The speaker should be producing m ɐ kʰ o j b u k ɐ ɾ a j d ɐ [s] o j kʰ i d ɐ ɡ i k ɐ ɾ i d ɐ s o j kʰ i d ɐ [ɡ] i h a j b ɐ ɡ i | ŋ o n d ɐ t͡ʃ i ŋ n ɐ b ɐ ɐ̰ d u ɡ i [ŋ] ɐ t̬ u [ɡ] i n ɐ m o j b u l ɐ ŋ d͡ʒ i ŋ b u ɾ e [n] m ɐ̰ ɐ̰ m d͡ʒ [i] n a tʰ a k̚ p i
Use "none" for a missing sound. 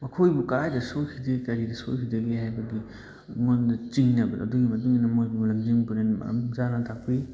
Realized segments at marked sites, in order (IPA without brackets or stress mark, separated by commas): s, ɡ, m, ŋ, n, a